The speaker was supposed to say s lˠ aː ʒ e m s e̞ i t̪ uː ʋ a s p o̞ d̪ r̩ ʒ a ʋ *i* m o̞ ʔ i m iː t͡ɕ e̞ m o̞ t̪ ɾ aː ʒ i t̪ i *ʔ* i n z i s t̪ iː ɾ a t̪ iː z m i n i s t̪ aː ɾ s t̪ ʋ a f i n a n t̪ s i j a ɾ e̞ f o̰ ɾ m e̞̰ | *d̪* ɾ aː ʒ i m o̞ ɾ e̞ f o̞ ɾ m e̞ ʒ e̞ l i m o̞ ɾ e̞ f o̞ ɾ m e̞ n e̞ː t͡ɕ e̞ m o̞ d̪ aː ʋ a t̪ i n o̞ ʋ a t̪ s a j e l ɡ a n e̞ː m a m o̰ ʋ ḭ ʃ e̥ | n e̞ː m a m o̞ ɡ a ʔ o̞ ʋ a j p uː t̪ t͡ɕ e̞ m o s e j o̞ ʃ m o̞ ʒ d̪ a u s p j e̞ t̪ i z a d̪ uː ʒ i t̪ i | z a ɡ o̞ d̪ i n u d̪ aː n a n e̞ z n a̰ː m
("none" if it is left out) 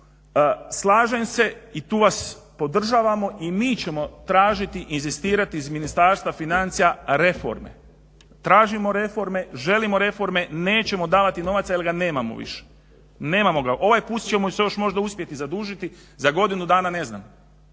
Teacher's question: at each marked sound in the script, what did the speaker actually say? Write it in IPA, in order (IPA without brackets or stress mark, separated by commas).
a, ʔ, t̪